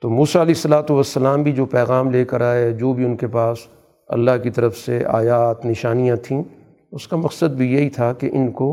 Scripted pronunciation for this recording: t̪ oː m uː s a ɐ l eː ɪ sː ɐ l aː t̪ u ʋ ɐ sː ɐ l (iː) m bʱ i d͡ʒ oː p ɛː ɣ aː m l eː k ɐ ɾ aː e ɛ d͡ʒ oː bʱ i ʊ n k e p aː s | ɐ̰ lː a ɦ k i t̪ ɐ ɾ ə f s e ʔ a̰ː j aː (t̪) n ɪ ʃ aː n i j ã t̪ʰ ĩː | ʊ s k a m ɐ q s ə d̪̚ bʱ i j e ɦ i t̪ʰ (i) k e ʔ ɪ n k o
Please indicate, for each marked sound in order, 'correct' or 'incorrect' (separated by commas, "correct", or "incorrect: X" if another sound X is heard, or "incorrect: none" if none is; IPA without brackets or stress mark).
incorrect: aː, correct, incorrect: a